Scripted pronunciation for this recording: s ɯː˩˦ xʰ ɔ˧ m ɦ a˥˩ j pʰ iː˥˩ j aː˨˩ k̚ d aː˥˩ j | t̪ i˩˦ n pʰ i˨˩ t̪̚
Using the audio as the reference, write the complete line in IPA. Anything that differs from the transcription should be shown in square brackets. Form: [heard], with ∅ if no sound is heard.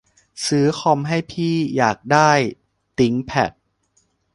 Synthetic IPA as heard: s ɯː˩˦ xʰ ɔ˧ m ɦ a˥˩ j pʰ iː˥˩ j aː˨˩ k̚ d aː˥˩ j | t̪ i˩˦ [ŋ] pʰ [ɛ˨˩] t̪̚